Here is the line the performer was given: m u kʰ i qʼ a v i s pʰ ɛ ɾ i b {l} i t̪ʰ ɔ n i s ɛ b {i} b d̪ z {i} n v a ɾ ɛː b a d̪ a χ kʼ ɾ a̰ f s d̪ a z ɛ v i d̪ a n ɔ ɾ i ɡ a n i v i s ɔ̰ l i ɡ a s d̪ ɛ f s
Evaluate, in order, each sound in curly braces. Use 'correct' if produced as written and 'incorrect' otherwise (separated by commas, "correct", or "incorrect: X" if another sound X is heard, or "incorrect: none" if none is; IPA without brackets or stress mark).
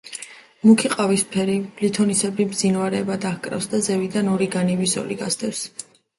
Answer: correct, correct, correct